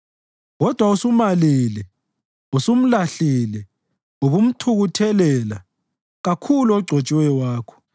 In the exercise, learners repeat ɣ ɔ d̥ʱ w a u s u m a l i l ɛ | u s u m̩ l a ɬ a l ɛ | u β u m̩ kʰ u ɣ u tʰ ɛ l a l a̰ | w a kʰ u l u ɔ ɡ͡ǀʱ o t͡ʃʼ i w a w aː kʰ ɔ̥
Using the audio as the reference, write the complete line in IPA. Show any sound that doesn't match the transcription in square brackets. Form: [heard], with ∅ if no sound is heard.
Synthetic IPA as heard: ɣ ɔ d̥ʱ w a u s u m a l i l ɛ | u s u m̩ l a ɬ [i] l ɛ | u β u m̩ [tʰ] u ɣ u tʰ ɛ l [ɛ] l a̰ | [ɣ] a kʰ u l u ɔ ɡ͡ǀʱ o t͡ʃʼ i w [ɛ] w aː kʰ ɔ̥